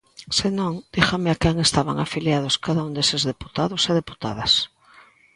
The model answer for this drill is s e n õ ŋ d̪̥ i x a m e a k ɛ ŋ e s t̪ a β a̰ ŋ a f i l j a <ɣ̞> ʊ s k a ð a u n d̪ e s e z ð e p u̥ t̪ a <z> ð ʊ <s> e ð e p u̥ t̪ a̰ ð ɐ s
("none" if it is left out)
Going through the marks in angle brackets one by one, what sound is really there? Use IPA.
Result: ð̞, none, s

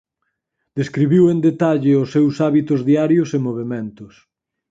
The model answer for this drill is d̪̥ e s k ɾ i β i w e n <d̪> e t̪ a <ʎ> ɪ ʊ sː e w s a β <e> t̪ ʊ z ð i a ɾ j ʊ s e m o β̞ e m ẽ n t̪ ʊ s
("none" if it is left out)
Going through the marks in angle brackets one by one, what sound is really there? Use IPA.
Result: d̪, ʎ, i

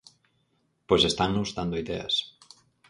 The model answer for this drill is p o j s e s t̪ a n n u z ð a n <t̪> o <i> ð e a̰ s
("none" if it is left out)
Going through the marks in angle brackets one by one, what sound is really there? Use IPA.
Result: d̪, i

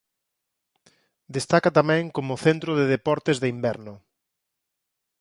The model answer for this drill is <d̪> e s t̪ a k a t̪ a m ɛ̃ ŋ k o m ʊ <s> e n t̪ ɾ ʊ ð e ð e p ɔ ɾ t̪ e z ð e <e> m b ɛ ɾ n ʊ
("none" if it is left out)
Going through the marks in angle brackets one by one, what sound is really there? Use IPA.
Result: d̪, θ, i

